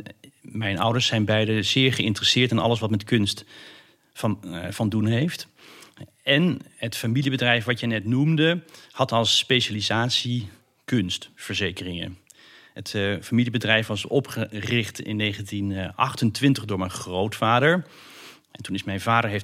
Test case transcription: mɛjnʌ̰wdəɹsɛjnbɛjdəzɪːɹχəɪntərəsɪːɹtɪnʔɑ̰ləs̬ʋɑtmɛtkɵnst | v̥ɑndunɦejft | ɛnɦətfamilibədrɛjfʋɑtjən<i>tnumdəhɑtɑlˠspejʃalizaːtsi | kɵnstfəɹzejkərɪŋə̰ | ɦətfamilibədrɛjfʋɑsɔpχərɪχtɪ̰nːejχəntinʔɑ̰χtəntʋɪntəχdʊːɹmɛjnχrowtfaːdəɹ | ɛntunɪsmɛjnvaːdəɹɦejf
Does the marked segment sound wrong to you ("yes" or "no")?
yes